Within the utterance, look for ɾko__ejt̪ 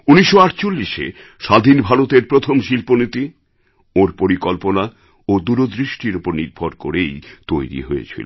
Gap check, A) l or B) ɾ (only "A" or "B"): B